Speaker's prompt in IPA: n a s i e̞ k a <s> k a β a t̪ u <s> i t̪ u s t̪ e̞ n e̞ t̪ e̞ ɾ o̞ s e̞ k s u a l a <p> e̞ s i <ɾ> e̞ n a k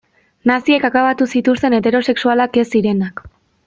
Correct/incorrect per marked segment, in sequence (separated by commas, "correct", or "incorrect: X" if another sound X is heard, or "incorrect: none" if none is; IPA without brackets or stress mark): incorrect: none, correct, incorrect: k, correct